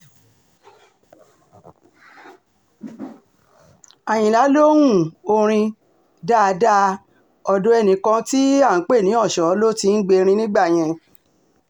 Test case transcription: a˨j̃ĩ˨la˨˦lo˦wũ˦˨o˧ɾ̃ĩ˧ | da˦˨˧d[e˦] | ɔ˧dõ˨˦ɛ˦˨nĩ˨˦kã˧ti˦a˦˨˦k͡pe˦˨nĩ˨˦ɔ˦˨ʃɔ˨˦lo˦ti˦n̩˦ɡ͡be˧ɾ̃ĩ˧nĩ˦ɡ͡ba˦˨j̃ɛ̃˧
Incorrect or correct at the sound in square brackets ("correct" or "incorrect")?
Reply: incorrect